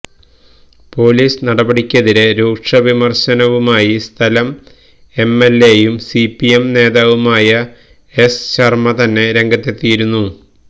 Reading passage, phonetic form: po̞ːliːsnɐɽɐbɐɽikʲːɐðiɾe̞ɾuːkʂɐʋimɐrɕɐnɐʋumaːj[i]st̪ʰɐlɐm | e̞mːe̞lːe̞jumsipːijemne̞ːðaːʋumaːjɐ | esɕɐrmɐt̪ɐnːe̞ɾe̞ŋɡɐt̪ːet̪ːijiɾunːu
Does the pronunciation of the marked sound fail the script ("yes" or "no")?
no